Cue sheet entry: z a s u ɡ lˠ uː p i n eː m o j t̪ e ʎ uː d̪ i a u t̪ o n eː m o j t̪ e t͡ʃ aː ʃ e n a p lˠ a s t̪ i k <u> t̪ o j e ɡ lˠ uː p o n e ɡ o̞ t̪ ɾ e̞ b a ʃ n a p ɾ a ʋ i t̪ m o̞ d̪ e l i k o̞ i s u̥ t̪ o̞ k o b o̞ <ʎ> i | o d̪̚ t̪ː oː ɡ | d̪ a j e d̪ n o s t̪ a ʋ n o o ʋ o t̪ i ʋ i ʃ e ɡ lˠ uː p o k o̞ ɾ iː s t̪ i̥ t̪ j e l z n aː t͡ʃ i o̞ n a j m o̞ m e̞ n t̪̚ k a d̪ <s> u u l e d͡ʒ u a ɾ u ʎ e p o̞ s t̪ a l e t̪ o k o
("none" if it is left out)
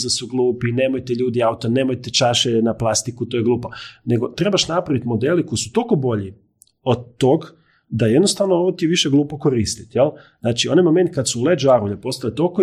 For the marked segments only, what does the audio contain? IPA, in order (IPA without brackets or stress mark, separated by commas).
u, ʎ, s